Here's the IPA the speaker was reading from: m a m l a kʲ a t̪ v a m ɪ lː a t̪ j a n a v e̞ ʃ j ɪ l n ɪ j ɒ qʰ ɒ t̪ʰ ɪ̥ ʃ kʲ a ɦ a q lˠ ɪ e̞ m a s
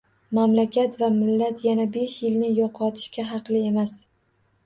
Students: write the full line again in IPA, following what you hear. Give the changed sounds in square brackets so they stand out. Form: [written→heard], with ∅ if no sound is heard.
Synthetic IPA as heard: m a m l a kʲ a t̪ v a m ɪ lː a t̪ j a n a [v→b] e̞ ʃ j ɪ l n ɪ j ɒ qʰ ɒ t̪ʰ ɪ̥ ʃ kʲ a ɦ [a→ɑ] q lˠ ɪ e̞ m a s